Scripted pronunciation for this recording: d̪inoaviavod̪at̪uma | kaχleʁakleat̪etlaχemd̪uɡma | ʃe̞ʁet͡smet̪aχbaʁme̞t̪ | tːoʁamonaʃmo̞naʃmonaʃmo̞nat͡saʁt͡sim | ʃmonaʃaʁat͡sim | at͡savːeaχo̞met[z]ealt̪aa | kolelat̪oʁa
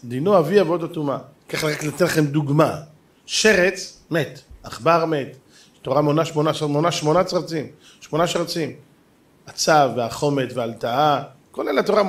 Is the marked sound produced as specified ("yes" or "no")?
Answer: no